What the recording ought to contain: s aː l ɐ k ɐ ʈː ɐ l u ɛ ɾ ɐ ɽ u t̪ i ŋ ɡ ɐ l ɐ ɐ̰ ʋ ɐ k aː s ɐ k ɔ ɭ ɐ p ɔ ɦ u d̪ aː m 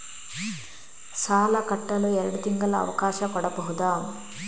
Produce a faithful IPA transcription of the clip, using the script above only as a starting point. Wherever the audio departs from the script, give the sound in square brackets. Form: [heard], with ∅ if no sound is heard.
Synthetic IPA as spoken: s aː l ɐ k ɐ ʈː ɐ l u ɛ ɾ ɐ ɽ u t̪ i ŋ ɡ ɐ l ɐ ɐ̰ ʋ ɐ k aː [ʃ] ɐ k ɔ [ɽ] ɐ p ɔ ɦ u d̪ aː m